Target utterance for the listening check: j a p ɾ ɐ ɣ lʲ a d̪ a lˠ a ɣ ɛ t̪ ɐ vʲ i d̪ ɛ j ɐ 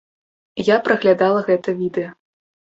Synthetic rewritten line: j a p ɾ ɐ ɣ lʲ a d̪ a lˠ ɐ ɣ ɛ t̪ ɐ vʲ i d̪ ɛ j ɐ